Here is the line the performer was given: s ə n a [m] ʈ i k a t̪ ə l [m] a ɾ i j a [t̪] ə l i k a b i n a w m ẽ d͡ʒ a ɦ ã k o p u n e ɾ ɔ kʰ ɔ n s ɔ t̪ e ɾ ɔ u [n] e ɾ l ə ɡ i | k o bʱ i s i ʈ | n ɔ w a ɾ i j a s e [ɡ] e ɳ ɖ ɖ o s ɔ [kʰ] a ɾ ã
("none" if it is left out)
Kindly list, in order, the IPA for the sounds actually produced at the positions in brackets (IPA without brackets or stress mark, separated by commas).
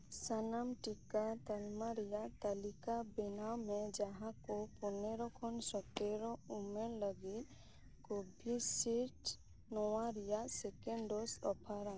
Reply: m, m, t̪, m, k, pʰ